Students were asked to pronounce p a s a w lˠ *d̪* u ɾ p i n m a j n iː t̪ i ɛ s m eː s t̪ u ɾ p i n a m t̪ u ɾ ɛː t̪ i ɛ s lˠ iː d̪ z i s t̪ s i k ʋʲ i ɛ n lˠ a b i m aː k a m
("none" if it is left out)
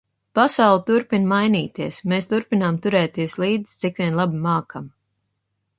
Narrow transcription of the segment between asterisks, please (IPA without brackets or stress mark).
t̪